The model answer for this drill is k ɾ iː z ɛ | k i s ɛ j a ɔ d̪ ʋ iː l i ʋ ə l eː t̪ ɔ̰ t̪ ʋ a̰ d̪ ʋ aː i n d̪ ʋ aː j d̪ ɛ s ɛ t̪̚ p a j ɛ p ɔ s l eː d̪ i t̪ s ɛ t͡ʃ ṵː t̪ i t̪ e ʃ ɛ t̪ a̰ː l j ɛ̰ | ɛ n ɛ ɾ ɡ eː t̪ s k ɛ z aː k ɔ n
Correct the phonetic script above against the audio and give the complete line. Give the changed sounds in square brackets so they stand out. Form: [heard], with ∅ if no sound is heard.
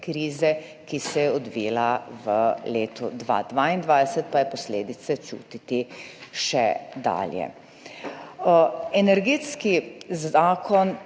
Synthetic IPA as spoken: k ɾ iː z ɛ | k i s ɛ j [ɛ] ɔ d̪ ʋ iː l [a] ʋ ə l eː t̪ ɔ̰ [d̪] ʋ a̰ d̪ ʋ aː i n d̪ ʋ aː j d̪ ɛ s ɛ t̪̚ p a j ɛ p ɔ s l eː d̪ i t̪ s ɛ t͡ʃ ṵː t̪ i t̪ [i] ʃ ɛ [d̪] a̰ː l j ɛ̰ | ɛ n ɛ ɾ ɡ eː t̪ s k [i] z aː k ɔ n